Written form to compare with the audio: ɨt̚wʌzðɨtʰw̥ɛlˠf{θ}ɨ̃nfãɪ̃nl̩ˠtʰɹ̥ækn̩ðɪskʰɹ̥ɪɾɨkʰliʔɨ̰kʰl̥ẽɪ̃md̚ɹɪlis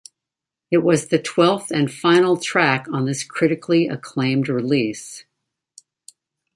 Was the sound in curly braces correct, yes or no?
yes